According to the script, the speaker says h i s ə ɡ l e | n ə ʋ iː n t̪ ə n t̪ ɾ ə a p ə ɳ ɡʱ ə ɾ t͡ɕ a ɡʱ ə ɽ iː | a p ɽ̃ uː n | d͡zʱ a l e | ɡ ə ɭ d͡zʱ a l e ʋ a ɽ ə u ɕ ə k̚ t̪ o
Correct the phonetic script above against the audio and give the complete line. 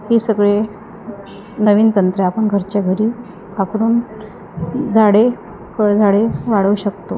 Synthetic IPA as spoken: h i s ə ɡ ɭ e | n ə ʋ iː n t̪ ə n t̪ ɾ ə a p ə ɳ ɡʱ ə ɾ t͡ɕ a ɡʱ ə ɾ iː | a p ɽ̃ uː n | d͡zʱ a ɽ e | k ə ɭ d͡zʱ a ɽ e ʋ a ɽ ə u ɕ ə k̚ t̪ o